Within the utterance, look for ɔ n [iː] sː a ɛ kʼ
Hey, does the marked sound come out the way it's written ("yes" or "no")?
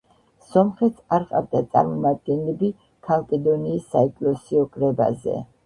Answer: yes